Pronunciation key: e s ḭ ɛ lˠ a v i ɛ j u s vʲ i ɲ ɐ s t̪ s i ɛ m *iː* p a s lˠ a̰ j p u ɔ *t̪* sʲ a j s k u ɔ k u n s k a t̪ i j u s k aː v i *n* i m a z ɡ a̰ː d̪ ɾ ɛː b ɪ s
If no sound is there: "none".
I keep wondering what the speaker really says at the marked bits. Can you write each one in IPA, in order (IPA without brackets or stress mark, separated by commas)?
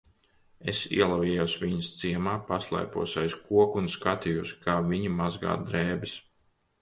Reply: aː, none, ɲ